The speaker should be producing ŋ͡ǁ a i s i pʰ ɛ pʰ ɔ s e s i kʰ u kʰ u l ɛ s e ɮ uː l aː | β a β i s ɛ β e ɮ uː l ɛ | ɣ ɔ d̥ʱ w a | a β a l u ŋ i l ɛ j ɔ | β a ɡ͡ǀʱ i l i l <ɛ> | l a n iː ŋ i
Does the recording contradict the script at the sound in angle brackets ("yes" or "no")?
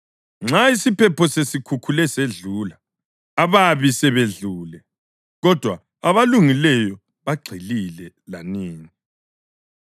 no